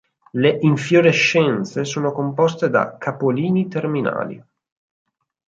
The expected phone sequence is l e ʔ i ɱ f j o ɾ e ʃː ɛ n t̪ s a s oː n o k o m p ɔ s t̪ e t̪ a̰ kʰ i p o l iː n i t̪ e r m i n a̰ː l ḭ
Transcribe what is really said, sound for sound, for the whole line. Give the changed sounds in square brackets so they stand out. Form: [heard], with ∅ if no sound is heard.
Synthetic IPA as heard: l e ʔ i ɱ f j o ɾ e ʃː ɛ n t̪ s [e] s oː n o k o m p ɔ s t̪ e [d̪] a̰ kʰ [a] p o l iː n i t̪ e r m i n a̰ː l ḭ

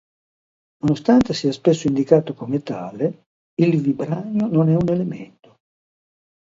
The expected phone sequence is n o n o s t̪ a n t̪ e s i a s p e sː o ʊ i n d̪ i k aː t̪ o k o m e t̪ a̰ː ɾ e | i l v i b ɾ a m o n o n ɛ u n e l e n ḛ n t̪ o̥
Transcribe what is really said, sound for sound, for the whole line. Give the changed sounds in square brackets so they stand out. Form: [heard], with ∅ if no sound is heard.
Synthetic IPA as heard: n o n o s t̪ a n t̪ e s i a s p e sː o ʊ i n d̪ i k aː t̪ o k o m e t̪ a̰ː [l] e | i l v i b ɾ a [ɲ] o n o n ɛ u n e l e [m] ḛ n t̪ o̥

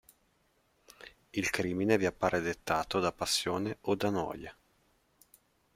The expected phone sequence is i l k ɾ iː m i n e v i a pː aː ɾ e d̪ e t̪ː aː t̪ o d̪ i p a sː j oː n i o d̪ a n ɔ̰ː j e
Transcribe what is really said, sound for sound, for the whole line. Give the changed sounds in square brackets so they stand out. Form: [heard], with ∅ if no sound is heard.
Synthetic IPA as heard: i l k ɾ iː m i n e v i a pː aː ɾ e d̪ e t̪ː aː t̪ o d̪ [a] p a sː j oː n [e] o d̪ a n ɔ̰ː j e

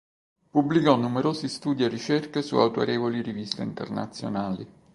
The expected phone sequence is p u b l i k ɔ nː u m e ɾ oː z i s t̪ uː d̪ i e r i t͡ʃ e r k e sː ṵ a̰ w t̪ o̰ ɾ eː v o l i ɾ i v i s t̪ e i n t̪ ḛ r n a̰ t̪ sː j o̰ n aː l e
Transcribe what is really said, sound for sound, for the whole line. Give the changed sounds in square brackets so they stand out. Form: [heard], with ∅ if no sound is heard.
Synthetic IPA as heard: p u b l i k ɔ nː u m e ɾ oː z i s t̪ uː d̪ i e r i t͡ʃ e r k e [s] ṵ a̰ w t̪ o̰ ɾ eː v o l i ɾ i v i s t̪ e i n t̪ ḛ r n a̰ t̪ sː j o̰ n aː l [i]

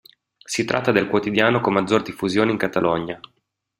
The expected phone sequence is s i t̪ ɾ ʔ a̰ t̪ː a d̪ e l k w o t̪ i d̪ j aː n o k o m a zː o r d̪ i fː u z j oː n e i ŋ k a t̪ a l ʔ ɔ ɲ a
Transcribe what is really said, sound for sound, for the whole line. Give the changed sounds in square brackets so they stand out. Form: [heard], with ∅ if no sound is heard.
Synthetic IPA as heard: s i t̪ ɾ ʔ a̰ t̪ː a d̪ e l k w o t̪ i d̪ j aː n o k o m a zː o r d̪ i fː u z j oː n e i ŋ k a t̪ a l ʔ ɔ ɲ a

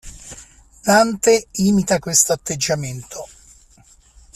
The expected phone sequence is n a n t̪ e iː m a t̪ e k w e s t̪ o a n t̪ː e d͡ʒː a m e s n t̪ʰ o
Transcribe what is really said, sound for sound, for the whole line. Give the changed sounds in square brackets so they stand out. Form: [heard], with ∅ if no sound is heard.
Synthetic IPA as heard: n a n t̪ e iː m [i] t̪ [a] k w e s t̪ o a [∅] t̪ː e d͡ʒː a m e [∅] n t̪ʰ o

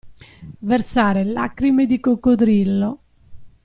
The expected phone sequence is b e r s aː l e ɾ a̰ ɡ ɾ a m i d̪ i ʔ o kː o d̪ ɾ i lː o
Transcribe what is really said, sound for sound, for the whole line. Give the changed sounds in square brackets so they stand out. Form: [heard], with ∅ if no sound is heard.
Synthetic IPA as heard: [v] e r s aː [ɾ] e [l] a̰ [k] ɾ [i] m [e] d̪ i [k] o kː o d̪ ɾ i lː o

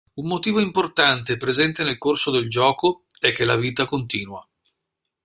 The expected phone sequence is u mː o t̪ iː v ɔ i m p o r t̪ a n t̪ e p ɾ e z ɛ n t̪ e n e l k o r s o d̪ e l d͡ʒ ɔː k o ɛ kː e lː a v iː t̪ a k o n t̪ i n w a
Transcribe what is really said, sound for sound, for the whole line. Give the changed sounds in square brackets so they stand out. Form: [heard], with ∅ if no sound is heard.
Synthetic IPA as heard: u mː o t̪ iː v [o] i m p o r t̪ a n t̪ e p ɾ e z ɛ n t̪ e n e l k o r s o d̪ e l d͡ʒ ɔː k o ɛ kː e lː a v iː t̪ a k o n t̪ [iː] n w a

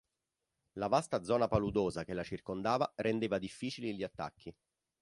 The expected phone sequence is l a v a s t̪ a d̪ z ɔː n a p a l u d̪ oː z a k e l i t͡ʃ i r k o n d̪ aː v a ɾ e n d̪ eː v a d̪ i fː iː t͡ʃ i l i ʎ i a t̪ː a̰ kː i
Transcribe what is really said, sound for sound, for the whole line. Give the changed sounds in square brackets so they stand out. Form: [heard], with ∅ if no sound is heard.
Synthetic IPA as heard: l a v a s t̪ a d̪ z ɔː n a p a l u d̪ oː z a k e l [a] t͡ʃ i r k o n d̪ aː v a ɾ e n d̪ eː v a d̪ i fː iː t͡ʃ i l i ʎ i a t̪ː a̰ kː i

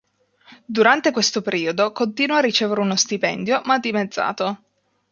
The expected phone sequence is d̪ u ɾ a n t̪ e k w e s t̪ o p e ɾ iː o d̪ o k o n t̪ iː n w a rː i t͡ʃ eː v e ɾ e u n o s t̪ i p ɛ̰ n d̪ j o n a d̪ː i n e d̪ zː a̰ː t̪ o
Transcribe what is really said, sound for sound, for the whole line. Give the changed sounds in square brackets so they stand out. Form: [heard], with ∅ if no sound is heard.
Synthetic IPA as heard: d̪ u ɾ a n t̪ e k w e s t̪ o p e ɾ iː o d̪ o k o n t̪ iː n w a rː i t͡ʃ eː v e ɾ e u n o s t̪ i p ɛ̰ n d̪ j o [m] a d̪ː i [m] e d̪ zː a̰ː t̪ o

